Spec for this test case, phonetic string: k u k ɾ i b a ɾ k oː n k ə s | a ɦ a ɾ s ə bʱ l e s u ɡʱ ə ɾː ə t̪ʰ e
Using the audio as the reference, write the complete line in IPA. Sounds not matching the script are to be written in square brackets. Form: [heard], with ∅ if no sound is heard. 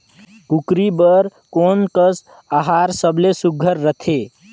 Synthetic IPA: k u k ɾ i b [ə] ɾ k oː n k ə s | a ɦ a ɾ s ə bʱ l e s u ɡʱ ə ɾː ə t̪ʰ e